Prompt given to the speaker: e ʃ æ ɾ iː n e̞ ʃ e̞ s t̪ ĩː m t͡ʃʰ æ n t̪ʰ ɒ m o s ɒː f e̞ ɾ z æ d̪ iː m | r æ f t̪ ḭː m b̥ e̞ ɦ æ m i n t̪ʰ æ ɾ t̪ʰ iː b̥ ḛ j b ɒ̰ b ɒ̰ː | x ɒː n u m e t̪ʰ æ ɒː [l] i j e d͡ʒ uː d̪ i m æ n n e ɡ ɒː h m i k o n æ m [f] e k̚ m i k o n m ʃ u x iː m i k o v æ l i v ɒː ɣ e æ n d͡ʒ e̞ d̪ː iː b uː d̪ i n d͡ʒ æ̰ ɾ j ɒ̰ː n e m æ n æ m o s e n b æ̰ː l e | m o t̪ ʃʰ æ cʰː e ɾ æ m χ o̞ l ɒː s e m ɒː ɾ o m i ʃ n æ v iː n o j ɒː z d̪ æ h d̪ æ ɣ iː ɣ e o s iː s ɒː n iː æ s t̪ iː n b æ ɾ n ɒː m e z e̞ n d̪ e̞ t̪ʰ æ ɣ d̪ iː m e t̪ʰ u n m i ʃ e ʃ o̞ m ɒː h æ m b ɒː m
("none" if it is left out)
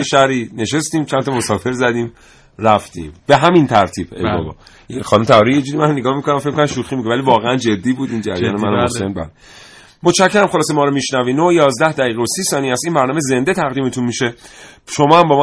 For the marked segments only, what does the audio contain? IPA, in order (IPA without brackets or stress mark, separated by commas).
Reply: ɾ, f